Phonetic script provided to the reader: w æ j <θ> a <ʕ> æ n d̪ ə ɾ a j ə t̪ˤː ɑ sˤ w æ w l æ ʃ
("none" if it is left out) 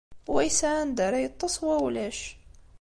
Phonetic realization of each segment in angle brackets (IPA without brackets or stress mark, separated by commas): s, ʕ